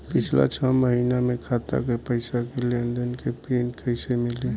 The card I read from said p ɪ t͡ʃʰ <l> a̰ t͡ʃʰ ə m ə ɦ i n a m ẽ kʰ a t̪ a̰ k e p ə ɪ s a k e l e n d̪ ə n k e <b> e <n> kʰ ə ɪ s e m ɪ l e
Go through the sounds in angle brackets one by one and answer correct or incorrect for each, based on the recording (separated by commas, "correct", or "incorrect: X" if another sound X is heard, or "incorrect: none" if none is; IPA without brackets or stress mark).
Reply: correct, incorrect: p, correct